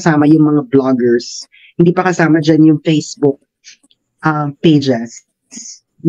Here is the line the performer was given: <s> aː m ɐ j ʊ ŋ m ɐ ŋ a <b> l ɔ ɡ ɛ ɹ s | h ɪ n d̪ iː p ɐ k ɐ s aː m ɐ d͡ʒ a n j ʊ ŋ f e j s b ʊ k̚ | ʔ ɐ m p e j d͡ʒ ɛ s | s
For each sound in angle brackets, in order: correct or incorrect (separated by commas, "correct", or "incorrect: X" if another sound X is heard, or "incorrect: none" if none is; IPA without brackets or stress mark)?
correct, correct